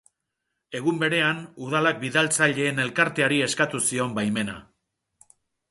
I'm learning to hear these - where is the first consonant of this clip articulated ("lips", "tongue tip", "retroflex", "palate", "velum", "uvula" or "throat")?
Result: velum